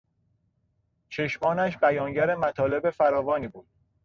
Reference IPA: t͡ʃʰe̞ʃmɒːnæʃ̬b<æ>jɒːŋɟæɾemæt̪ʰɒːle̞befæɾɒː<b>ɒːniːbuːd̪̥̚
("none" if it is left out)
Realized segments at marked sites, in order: æ, v

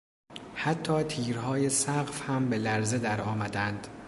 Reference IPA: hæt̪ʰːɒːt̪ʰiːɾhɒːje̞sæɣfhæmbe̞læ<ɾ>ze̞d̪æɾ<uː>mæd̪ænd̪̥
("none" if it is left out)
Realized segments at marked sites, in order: ɾ, ɒː

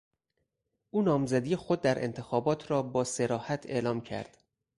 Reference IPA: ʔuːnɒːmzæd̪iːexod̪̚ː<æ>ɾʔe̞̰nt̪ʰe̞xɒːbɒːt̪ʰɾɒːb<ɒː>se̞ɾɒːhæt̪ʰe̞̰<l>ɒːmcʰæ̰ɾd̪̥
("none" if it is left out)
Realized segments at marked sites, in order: æ, ɒː, l

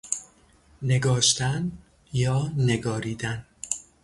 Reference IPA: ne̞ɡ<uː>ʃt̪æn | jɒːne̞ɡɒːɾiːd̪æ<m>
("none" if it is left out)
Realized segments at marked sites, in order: ɒː, n

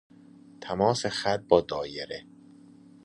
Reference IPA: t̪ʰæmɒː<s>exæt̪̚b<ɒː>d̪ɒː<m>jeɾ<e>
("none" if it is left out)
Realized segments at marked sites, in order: s, ɒː, none, e

